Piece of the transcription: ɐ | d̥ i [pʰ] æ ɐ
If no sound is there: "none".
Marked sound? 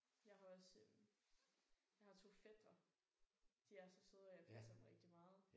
none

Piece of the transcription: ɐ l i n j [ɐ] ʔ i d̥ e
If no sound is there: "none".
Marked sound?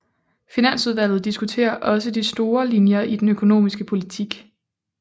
ɐ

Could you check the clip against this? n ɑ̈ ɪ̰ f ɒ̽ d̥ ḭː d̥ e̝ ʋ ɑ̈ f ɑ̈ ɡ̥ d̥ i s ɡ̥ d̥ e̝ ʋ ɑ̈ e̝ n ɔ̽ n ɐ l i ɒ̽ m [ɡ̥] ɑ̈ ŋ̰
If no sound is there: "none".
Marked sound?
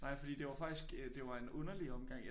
ɡ̥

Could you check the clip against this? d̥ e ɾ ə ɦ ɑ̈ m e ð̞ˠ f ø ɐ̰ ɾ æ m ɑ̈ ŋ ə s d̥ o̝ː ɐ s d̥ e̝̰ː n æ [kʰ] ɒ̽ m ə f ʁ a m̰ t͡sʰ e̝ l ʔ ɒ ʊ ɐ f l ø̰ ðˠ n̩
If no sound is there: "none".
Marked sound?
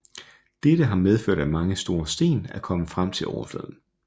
kʰ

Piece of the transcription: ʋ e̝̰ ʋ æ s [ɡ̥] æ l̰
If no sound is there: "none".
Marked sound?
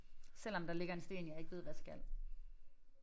ɡ̥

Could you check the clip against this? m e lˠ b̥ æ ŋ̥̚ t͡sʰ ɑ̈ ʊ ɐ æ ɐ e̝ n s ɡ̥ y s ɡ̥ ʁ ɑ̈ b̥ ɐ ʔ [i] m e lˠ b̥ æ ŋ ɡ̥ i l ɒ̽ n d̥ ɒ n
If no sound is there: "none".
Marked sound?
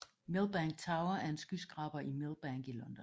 i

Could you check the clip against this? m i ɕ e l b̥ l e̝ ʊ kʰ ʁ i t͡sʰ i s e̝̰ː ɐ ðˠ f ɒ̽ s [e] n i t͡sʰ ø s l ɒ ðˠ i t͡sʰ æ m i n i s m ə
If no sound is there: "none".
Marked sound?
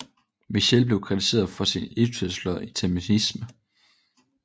i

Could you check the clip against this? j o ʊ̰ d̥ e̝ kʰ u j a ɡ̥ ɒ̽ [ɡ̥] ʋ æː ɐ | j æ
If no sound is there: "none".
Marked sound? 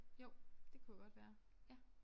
d̥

